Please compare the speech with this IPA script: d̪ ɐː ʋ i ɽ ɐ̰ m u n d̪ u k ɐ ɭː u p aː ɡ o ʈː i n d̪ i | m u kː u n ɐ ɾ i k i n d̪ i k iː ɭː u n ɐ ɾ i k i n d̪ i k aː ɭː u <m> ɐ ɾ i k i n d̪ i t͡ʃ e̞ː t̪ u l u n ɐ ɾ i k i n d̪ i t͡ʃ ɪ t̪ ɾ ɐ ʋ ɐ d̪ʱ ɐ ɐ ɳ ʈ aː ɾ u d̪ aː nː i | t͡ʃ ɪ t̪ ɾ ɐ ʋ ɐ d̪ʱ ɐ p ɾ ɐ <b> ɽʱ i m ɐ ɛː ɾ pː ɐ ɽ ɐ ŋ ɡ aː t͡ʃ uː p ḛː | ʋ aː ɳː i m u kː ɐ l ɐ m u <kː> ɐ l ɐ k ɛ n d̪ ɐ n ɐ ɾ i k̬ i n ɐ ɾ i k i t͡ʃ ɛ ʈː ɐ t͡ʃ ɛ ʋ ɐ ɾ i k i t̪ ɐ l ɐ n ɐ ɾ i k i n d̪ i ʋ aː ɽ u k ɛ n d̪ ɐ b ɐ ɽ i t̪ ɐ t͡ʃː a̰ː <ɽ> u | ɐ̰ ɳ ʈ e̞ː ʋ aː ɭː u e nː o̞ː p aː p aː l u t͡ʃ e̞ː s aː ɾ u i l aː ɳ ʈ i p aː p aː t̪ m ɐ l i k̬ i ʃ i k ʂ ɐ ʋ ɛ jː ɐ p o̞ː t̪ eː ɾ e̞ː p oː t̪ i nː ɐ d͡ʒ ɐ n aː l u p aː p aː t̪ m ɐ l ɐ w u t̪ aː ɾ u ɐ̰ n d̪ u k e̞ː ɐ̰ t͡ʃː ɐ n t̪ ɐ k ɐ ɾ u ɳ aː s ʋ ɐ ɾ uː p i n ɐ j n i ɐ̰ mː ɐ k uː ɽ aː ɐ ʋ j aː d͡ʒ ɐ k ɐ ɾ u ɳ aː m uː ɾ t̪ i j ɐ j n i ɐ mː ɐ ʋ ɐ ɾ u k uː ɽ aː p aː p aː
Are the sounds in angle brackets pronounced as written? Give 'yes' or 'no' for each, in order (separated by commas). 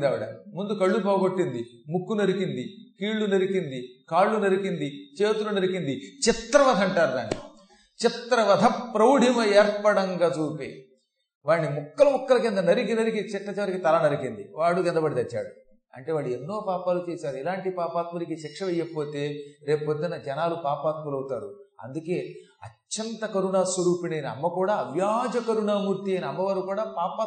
no, no, yes, yes